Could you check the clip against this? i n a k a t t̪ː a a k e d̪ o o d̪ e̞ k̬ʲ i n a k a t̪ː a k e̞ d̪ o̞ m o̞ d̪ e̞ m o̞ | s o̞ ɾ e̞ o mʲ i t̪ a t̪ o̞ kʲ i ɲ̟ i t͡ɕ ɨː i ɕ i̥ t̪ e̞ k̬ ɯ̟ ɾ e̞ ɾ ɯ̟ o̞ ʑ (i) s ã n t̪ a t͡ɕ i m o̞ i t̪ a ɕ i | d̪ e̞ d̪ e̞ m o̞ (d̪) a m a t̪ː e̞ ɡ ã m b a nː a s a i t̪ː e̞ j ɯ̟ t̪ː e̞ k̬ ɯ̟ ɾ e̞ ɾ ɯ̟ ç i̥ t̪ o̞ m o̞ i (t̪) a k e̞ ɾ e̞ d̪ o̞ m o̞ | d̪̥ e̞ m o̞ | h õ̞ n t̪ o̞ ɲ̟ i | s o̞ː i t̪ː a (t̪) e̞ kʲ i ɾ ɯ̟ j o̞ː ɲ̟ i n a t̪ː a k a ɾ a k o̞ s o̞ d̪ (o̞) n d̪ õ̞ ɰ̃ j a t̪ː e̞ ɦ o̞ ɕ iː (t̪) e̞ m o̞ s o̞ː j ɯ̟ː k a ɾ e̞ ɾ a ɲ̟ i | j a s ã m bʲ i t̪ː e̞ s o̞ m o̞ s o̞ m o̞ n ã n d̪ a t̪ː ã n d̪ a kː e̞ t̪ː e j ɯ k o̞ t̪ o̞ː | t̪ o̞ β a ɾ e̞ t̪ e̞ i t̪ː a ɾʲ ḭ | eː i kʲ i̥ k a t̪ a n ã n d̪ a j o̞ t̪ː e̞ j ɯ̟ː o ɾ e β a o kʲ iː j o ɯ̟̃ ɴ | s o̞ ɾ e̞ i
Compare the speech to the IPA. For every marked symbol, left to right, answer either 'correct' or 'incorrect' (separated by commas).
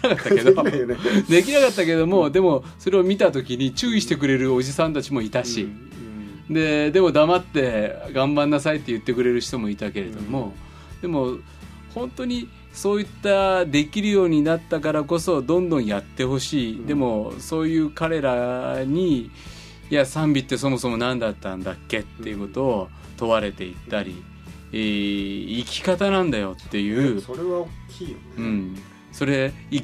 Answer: correct, correct, correct, incorrect, incorrect, incorrect